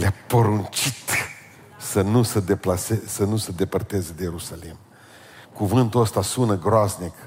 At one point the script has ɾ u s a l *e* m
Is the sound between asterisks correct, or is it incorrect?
incorrect